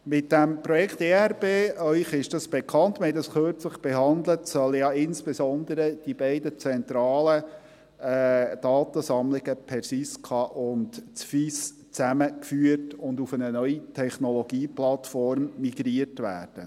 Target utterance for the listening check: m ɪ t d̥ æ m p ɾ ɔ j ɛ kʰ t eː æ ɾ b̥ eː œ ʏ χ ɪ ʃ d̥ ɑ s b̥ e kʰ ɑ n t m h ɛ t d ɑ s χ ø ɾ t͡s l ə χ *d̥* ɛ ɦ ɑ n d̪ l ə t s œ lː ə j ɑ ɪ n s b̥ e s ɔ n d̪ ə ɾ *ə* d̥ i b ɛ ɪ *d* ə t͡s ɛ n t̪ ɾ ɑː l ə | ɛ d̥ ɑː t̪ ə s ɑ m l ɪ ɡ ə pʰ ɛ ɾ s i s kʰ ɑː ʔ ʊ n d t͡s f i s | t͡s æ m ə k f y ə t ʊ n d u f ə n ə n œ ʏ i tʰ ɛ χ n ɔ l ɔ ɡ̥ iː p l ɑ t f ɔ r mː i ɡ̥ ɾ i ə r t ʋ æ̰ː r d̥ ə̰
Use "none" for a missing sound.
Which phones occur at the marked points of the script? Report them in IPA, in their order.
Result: b̥, ə, d

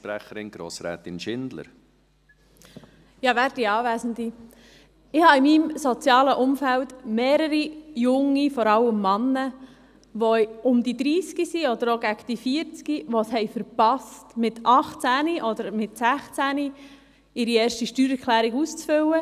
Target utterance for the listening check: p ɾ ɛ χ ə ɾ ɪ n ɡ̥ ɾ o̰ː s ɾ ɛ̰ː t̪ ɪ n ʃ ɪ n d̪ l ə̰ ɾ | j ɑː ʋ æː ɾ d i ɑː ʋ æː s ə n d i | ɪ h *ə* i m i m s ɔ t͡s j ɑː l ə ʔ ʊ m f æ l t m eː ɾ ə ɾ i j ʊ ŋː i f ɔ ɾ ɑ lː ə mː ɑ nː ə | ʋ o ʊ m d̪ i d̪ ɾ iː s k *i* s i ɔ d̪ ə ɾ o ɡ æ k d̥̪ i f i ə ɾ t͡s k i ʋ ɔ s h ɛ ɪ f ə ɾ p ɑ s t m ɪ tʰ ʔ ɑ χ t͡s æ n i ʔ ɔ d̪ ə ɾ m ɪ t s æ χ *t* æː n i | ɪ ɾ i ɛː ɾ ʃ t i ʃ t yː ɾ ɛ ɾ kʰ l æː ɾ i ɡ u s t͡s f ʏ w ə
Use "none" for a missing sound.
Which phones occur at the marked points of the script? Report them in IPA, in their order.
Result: ɑ, i, t͡s

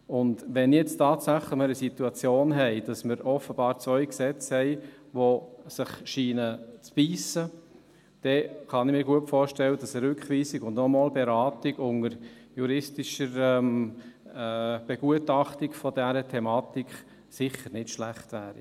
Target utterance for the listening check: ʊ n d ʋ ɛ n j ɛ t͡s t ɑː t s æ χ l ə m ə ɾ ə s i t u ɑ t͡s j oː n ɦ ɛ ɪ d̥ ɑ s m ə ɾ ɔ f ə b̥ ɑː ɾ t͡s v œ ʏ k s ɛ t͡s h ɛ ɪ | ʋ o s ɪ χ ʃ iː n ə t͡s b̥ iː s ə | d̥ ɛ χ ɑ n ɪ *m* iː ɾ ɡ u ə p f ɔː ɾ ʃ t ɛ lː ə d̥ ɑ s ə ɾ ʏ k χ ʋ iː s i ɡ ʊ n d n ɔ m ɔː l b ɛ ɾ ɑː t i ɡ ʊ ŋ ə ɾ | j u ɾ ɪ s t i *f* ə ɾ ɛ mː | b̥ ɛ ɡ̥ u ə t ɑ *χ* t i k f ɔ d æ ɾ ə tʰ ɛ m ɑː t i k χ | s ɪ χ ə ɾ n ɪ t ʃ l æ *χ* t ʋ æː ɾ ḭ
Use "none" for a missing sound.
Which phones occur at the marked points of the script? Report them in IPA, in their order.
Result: m, ʃ, χ, χ

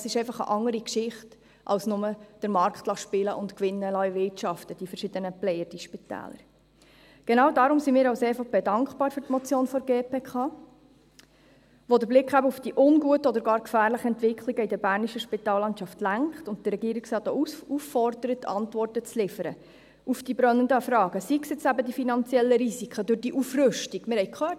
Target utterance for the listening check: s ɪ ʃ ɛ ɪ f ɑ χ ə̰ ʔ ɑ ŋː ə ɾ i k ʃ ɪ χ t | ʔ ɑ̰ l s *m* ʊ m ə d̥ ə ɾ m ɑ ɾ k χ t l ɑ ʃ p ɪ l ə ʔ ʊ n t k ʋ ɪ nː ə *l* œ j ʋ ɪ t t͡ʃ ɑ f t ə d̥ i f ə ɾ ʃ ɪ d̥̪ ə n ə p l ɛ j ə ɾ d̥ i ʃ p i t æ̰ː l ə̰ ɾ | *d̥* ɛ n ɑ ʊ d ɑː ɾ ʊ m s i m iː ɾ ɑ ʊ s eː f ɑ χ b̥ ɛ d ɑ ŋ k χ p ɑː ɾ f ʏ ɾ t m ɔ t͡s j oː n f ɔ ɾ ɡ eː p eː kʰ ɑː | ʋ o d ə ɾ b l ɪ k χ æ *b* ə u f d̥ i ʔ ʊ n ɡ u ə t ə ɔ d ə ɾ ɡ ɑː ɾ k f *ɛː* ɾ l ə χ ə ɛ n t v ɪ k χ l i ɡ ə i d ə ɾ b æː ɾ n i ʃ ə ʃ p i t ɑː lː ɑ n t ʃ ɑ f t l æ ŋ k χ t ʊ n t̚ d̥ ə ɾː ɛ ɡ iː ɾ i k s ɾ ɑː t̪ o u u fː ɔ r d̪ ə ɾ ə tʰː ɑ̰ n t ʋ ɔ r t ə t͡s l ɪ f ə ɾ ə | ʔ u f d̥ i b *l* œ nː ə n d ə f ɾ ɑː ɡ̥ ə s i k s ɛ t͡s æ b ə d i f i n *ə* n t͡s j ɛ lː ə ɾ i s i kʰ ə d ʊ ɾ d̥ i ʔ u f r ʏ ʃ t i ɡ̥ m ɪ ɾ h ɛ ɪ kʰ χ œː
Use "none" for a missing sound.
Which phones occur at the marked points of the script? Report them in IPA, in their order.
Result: n, l, ɡ̥, b, æː, ɾ, ɑ

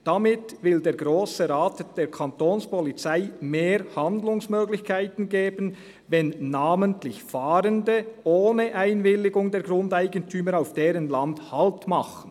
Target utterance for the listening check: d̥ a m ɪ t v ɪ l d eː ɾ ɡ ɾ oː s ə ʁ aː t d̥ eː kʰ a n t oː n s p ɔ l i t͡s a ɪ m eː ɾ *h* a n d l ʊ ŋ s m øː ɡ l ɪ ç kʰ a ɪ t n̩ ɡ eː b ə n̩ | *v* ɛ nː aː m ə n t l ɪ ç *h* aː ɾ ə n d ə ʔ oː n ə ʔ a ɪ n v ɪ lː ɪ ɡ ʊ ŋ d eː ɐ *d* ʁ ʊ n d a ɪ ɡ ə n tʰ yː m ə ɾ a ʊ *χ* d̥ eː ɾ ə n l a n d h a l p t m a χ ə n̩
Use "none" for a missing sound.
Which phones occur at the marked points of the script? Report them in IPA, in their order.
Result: h, v, f, ɡ, f

